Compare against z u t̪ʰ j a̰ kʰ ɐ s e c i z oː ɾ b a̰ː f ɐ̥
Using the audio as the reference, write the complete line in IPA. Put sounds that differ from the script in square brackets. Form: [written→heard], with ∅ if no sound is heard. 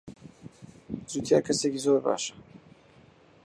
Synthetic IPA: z u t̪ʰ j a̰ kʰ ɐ s e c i z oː ɾ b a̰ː [f→ʃ] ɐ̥

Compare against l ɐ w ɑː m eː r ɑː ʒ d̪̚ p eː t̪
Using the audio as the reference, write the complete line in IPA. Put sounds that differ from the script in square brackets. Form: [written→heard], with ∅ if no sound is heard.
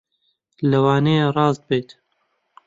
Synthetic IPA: l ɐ w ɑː [m→n] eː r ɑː [ʒ→z] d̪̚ [p→b] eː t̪

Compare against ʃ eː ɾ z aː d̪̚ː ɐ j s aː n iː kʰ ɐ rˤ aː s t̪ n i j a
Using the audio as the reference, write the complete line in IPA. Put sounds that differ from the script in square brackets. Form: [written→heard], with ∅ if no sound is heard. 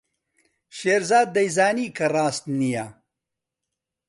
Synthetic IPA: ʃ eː ɾ z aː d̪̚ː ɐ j [s→z] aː n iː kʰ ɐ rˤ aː s t̪ n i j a

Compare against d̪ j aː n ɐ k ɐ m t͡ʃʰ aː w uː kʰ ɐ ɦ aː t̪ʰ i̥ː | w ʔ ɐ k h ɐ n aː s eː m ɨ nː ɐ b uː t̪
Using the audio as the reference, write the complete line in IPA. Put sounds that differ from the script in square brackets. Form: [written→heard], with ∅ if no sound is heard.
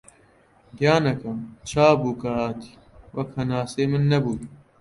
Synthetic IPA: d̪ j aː n ɐ k ɐ m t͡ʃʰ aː [w→b] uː [kʰ→k] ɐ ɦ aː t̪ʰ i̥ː | w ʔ ɐ k h ɐ n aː s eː m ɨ nː ɐ b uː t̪

